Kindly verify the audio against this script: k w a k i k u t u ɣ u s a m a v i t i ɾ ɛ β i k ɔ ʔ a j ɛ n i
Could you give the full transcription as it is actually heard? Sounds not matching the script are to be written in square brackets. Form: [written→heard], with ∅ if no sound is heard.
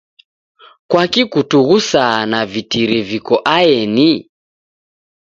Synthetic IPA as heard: k w a k i k u t u ɣ u s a [m→n] a v i t i ɾ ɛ [β→v] i k ɔ ʔ a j ɛ n i